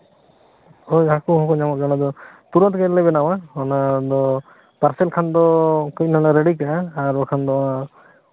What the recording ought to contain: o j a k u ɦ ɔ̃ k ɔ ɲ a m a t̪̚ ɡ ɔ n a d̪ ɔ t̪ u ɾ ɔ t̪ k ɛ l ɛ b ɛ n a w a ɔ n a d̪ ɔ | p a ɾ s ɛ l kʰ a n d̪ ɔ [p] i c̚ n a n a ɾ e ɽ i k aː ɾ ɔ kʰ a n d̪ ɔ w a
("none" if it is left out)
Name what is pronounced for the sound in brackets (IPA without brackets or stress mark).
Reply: k